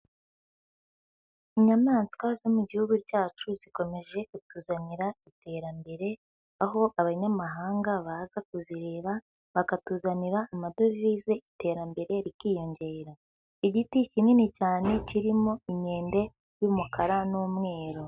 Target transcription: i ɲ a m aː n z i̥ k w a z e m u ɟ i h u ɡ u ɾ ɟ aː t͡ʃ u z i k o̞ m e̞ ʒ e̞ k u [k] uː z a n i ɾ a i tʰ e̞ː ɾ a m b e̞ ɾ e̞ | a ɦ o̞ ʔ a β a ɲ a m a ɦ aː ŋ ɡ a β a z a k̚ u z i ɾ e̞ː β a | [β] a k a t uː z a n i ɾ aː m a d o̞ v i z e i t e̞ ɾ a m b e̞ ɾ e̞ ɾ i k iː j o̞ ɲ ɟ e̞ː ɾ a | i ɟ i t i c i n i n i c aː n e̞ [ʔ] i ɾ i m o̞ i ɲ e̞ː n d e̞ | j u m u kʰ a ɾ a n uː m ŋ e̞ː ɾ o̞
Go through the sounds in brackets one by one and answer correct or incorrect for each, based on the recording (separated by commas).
incorrect, correct, incorrect